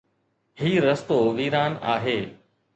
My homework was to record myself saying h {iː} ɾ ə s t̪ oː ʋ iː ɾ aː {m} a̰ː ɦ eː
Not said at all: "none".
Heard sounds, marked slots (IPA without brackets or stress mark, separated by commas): iː, n